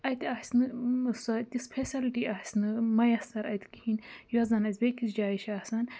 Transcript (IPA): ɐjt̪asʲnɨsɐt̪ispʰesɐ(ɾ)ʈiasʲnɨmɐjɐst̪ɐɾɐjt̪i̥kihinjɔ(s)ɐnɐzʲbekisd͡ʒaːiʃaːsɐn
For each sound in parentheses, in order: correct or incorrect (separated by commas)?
incorrect, incorrect